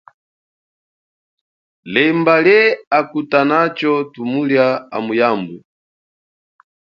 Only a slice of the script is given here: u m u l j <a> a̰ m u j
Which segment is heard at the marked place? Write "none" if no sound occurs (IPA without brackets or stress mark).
a